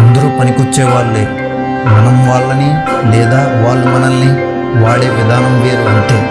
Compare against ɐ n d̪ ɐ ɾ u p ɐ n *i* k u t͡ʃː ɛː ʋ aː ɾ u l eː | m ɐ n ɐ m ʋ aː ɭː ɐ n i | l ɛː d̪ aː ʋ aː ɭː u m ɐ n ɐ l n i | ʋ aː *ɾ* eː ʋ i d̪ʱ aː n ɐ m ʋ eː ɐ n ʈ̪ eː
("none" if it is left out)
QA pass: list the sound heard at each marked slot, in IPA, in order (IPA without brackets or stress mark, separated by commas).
i, ɭ